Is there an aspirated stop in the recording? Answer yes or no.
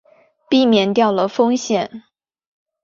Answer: no